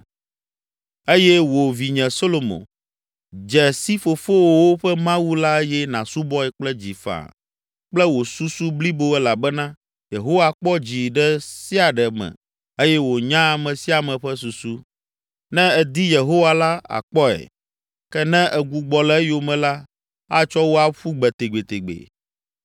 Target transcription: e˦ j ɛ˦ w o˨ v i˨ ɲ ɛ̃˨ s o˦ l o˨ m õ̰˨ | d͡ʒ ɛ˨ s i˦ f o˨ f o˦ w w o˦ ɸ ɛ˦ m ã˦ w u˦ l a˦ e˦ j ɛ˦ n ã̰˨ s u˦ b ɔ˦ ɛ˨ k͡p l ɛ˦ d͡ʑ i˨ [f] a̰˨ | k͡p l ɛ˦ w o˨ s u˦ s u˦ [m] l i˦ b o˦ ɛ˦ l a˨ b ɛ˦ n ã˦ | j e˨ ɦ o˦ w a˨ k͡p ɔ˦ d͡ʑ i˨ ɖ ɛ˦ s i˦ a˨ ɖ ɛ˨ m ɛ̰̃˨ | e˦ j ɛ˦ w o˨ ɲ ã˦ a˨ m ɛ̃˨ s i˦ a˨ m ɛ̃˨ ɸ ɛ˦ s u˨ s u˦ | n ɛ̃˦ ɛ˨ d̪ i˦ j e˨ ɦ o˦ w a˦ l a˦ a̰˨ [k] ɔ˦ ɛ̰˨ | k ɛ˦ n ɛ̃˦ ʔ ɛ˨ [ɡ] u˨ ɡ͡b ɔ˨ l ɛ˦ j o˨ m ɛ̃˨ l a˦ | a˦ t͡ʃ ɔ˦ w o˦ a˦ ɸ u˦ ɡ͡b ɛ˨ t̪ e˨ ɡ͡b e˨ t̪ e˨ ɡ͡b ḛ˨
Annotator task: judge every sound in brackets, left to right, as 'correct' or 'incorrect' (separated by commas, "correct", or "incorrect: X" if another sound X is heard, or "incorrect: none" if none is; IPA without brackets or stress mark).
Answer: correct, incorrect: b, incorrect: k͡p, correct